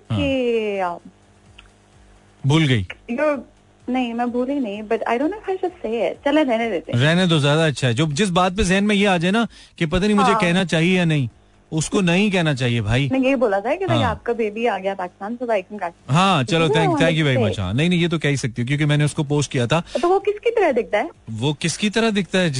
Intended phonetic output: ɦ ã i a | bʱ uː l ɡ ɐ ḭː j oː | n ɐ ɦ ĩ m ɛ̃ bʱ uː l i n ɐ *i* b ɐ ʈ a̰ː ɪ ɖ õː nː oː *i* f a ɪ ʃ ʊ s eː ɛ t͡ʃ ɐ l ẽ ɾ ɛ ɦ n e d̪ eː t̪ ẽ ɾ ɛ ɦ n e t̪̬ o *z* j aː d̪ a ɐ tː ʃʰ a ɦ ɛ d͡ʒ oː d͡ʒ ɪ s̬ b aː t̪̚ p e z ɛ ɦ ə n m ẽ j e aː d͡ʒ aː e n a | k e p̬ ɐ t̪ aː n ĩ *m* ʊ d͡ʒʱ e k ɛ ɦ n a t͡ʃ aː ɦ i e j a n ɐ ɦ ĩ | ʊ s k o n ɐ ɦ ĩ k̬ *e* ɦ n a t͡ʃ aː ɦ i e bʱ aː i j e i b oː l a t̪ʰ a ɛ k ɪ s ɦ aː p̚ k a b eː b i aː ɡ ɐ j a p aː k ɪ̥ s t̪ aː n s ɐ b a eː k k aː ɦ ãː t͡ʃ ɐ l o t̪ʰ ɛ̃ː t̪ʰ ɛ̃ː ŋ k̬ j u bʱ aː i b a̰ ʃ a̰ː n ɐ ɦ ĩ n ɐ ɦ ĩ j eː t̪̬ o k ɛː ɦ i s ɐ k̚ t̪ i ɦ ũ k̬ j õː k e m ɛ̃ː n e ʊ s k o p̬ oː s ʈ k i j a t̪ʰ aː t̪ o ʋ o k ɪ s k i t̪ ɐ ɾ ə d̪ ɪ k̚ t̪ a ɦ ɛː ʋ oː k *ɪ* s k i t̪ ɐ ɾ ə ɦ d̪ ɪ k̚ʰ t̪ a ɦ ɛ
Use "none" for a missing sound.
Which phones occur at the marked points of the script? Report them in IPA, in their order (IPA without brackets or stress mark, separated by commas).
ĩ, ɪ, z, m, ɛ, ɪ